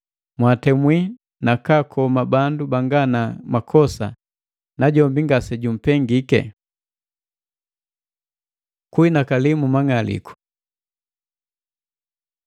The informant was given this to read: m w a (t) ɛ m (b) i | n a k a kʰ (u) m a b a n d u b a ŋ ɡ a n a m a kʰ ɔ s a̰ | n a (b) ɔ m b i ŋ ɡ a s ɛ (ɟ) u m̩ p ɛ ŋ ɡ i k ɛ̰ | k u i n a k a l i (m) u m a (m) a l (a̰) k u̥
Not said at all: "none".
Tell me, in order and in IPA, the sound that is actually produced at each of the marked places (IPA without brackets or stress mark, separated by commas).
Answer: t, w, ɔ, ɟ, ɟ, m, ŋ, ḭ